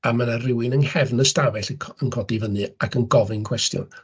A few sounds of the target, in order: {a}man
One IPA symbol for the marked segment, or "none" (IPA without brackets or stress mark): a